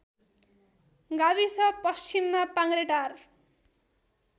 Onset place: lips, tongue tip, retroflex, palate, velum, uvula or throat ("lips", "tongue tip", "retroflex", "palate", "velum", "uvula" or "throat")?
velum